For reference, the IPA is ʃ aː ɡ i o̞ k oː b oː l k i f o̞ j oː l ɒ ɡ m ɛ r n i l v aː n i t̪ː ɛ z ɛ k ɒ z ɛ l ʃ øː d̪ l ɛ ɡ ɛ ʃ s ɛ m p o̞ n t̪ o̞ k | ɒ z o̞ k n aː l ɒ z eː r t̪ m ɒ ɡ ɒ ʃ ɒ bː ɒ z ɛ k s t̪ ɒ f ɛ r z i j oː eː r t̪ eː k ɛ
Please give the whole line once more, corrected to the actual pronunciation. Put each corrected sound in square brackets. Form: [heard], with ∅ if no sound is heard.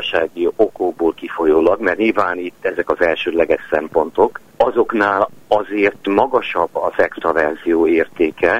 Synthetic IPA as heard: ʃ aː ɡ i o̞ k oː b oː l k i f o̞ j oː l ɒ ɡ m ɛ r [ɲ] i l v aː n i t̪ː ɛ z ɛ k ɒ z ɛ l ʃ øː d̪ l ɛ ɡ ɛ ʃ s ɛ m p o̞ n t̪ o̞ k | ɒ z o̞ k n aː l ɒ z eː r t̪ m ɒ ɡ ɒ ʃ ɒ bː ɒ z ɛ k s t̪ ɒ [v] ɛ r z i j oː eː r t̪ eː k ɛ